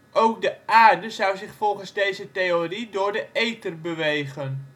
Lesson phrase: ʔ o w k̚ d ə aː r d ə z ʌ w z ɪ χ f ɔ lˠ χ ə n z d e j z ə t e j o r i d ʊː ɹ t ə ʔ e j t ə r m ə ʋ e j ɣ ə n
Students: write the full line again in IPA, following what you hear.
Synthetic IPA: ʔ o w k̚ d ə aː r d ə z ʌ w z ɪ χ f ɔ lˠ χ ə n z d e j z ə t e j o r i d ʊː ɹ d ə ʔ e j t ə r b ə ʋ e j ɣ ə n